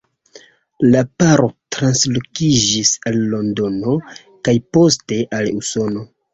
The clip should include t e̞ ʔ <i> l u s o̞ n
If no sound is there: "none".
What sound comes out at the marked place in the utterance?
a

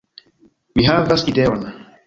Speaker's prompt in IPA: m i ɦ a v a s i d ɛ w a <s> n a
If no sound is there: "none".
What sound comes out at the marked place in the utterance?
none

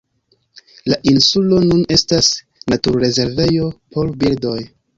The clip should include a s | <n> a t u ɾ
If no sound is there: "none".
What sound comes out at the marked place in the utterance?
n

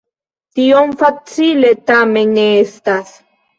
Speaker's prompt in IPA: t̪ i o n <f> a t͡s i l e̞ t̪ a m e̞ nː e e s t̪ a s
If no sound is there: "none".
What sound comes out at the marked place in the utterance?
f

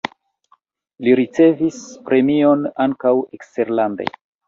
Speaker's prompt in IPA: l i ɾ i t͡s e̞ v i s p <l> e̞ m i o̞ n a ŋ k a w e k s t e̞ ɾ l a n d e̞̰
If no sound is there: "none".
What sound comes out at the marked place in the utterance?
ɾ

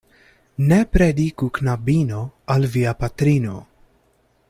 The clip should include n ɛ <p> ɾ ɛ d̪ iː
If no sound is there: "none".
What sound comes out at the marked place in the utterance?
p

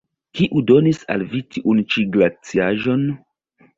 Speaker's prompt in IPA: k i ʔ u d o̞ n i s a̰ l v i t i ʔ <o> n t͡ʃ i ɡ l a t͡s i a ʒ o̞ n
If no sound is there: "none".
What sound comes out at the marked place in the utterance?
u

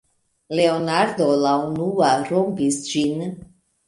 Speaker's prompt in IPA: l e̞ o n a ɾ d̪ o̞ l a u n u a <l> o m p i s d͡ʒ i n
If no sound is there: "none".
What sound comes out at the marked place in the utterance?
ɾ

